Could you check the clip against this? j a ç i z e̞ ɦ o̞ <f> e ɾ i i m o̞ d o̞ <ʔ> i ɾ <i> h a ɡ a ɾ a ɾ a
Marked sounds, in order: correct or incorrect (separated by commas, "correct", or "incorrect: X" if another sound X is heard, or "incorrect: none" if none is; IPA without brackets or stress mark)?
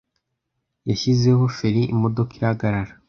correct, incorrect: k, incorrect: a